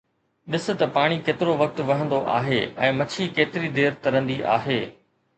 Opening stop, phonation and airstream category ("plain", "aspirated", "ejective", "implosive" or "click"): implosive